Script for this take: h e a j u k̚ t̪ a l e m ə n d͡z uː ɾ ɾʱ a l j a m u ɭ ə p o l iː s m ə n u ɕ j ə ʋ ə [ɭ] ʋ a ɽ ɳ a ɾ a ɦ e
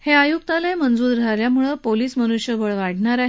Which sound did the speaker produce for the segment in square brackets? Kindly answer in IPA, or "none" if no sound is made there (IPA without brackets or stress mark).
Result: ɭ